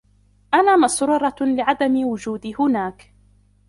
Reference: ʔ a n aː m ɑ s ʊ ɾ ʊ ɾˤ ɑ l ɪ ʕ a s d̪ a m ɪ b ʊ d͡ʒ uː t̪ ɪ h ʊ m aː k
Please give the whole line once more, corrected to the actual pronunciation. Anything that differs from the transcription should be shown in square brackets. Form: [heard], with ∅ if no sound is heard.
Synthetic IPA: ʔ a n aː m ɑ s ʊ ɾ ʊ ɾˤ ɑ l ɪ ʕ a [∅] d̪ a m ɪ [w] ʊ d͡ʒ uː [d̪] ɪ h ʊ [n] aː k